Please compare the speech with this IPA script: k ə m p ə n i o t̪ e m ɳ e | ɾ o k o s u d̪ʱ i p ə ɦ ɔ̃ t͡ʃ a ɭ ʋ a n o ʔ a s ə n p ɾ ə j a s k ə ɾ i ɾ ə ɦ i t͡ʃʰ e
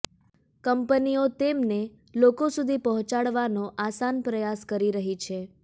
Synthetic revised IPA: k ə m p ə n i o t̪ e m n e | l o k o s u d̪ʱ i p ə ɦ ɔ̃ t͡ʃ a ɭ ʋ a n o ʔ a s a n p ɾ ə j a s k ə ɾ i ɾ ə ɦ i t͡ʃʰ e